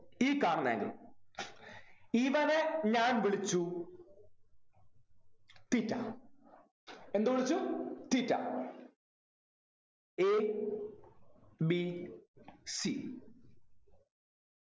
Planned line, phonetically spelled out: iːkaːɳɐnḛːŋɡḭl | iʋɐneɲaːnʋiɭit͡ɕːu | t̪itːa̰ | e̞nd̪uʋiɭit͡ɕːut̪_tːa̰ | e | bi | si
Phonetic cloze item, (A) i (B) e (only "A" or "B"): A